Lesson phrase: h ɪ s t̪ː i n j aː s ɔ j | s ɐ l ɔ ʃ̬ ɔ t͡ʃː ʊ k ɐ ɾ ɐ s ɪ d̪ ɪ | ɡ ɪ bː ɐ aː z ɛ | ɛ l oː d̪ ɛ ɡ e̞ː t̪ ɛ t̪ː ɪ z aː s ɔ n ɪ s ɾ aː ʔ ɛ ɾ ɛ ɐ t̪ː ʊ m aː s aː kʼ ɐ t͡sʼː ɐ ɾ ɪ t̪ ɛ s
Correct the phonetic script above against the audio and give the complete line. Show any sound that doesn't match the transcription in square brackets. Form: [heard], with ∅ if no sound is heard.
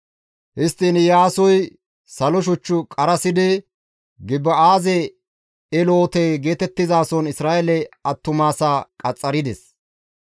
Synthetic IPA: h ɪ s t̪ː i n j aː s ɔ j | s ɐ l ɔ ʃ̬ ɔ t͡ʃː ʊ [kʼ] ɐ ɾ ɐ s ɪ d̪ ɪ | ɡ ɪ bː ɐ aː z ɛ | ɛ l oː [t̪] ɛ ɡ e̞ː t̪ ɛ t̪ː ɪ z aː s ɔ n ɪ s ɾ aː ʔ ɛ [l] ɛ ɐ t̪ː ʊ m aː s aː kʼ ɐ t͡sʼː ɐ ɾ ɪ [d̪] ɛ s

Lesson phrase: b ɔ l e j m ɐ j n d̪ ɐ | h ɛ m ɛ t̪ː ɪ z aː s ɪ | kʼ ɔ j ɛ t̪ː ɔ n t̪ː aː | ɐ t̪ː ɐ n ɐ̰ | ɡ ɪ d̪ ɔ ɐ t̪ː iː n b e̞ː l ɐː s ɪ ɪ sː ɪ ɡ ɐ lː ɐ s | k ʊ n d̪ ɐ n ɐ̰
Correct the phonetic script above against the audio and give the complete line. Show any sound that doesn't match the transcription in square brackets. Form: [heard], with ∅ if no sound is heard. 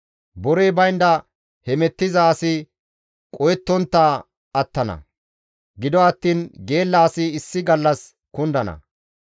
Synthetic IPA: b ɔ [ɾ] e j [b] ɐ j n d̪ ɐ | h ɛ m ɛ t̪ː ɪ z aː s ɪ | kʼ ɔ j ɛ t̪ː ɔ n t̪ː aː | ɐ t̪ː ɐ n ɐ̰ | ɡ ɪ d̪ ɔ ɐ t̪ː iː n [ɡ] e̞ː [lː] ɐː s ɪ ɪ sː ɪ ɡ ɐ lː ɐ s | k ʊ n d̪ ɐ n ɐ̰

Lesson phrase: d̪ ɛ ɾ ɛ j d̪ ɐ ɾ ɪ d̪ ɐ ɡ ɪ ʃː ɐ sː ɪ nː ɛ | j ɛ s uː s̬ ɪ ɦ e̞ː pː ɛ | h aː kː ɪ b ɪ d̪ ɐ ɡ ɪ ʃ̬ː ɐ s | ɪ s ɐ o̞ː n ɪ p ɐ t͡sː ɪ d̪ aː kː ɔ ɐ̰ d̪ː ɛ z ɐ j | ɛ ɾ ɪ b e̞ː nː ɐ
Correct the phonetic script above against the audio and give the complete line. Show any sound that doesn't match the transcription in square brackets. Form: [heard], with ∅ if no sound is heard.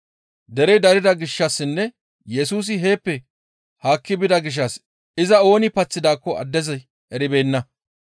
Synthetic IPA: d̪ ɛ ɾ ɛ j d̪ ɐ ɾ ɪ d̪ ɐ ɡ ɪ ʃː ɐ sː ɪ nː ɛ | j ɛ s uː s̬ ɪ ɦ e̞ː pː ɛ | h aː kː ɪ b ɪ d̪ ɐ ɡ ɪ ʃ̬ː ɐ s | ɪ [z] ɐ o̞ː n ɪ p ɐ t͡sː ɪ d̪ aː kː ɔ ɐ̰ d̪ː ɛ z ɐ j | ɛ ɾ ɪ b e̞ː nː ɐ

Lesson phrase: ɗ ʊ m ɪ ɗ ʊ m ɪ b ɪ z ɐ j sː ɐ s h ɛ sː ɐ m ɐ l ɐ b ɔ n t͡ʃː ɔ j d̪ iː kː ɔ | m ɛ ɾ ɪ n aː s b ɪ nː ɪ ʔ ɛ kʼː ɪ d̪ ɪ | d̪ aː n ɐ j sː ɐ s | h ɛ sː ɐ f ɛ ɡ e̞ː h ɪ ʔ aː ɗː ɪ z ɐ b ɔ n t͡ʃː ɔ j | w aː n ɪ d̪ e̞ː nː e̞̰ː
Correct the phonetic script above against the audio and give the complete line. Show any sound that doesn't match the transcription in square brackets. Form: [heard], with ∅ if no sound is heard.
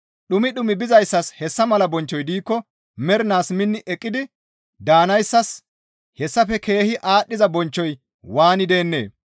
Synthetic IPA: ɗ ʊ m ɪ ɗ ʊ m ɪ b ɪ z ɐ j sː ɐ s h ɛ sː ɐ m ɐ l ɐ b ɔ n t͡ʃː ɔ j d̪ iː kː ɔ | m ɛ ɾ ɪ n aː s [m] ɪ nː ɪ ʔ ɛ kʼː ɪ d̪ ɪ | d̪ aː n ɐ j sː ɐ s | h ɛ sː ɐ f ɛ [k] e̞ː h ɪ ʔ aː ɗː ɪ z ɐ b ɔ n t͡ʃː ɔ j | w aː n ɪ d̪ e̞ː nː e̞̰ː

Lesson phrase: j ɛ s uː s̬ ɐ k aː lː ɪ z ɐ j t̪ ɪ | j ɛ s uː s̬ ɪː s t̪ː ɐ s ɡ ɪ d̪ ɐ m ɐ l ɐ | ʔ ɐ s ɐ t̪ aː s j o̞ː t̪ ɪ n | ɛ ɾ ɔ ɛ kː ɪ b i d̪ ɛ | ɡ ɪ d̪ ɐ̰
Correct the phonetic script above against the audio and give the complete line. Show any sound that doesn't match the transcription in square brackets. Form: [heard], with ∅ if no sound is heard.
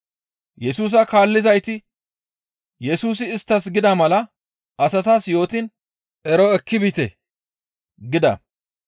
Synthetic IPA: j ɛ s uː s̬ ɐ k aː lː ɪ z ɐ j t̪ ɪ | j ɛ s uː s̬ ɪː s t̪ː ɐ s ɡ ɪ d̪ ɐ m ɐ l ɐ | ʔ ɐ s ɐ t̪ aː s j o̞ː t̪ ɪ n | ɛ ɾ ɔ ɛ kː ɪ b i [t̪] ɛ | ɡ ɪ d̪ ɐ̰

